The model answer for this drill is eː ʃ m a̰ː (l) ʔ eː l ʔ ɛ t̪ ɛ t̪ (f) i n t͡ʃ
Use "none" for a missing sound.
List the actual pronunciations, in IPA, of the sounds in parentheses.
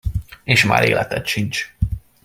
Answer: ɾ, ʃ

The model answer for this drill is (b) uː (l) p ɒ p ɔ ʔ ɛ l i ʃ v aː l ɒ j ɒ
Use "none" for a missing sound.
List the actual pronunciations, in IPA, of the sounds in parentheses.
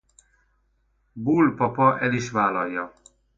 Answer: b, l

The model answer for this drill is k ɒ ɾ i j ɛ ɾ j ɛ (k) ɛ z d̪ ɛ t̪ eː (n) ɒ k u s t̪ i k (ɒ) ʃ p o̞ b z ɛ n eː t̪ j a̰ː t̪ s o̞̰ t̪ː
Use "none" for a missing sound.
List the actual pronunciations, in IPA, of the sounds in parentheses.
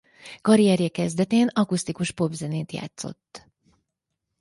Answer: k, n, u

